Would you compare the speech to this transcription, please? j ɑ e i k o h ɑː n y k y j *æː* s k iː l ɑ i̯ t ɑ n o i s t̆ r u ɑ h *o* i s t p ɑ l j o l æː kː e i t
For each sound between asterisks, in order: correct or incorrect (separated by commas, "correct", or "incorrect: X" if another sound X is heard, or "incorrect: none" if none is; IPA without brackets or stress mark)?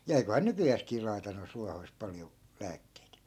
correct, correct